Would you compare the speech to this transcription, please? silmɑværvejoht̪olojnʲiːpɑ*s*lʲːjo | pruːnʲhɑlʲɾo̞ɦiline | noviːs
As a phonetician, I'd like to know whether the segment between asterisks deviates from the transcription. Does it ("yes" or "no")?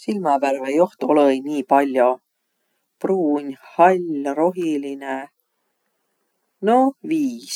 yes